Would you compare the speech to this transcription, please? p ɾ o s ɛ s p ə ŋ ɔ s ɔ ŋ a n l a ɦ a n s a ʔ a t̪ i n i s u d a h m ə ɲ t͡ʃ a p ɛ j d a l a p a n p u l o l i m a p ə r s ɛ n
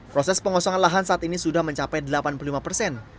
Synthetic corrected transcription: p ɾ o s ɛ s p ə ŋ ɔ s ɔ ŋ a n l a ɦ a n s a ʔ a t̪ i n i s u d a h m ə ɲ t͡ʃ a p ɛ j d ə l a p a n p u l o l i m a p ə r s ɛ n